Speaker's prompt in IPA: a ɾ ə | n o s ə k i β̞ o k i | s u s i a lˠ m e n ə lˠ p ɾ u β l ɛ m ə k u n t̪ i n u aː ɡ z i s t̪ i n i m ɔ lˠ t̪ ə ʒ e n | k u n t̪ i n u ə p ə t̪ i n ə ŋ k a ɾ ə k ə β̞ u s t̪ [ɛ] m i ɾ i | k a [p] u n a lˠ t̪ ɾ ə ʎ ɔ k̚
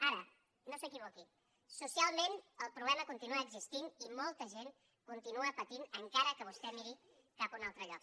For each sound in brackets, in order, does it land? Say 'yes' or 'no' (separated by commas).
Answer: yes, yes